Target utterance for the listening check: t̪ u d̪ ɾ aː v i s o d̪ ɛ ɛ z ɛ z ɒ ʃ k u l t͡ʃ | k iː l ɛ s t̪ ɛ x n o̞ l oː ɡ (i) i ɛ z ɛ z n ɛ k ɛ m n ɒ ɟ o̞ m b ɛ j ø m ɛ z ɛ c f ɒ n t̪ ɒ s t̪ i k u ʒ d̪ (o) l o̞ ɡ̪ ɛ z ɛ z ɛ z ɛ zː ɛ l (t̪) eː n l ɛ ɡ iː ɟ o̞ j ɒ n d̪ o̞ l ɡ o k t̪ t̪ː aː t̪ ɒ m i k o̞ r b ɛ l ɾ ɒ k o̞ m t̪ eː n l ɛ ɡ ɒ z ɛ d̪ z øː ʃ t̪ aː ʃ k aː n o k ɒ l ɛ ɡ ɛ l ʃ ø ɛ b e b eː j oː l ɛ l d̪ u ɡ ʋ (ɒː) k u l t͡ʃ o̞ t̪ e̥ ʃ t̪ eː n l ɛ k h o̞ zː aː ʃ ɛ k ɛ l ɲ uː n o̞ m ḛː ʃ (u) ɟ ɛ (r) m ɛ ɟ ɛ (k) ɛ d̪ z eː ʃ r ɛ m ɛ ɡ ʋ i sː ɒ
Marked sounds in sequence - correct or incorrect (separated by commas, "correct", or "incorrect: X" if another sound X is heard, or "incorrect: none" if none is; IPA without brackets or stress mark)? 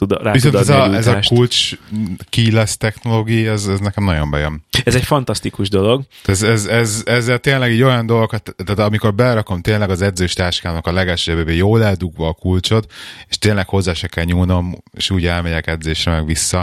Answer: correct, correct, correct, correct, incorrect: uː, incorrect: l, correct